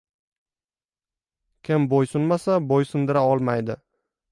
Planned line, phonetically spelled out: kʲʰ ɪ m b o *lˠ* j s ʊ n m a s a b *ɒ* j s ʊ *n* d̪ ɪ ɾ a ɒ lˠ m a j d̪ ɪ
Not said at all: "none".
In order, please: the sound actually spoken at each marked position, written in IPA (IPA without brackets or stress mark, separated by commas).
none, o, n